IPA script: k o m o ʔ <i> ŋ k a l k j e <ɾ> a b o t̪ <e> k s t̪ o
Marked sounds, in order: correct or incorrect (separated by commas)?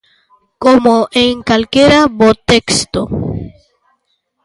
incorrect, correct, correct